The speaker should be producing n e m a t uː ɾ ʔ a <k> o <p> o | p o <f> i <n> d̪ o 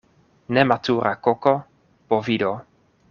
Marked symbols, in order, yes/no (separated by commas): yes, no, no, no